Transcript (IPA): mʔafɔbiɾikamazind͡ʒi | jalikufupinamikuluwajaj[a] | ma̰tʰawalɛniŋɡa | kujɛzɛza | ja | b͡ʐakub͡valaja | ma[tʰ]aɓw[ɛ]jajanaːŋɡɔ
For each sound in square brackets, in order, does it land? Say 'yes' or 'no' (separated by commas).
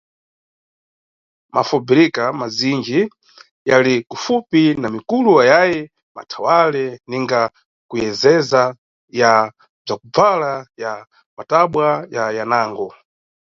no, no, no